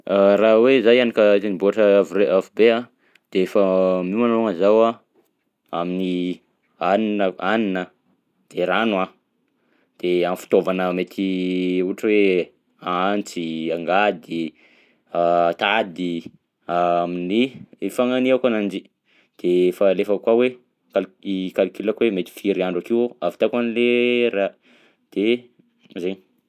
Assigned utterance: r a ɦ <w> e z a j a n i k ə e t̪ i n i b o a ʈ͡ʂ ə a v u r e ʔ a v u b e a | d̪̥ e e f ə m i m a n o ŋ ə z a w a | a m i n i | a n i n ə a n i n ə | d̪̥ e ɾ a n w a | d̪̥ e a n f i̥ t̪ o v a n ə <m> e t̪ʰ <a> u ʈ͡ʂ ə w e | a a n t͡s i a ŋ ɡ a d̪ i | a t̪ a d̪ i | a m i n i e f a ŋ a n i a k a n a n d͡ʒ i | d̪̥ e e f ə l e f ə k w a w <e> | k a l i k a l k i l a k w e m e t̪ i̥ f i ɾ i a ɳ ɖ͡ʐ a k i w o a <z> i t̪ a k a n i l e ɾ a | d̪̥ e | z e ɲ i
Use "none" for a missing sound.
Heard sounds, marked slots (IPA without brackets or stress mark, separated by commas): w, m, i, e, v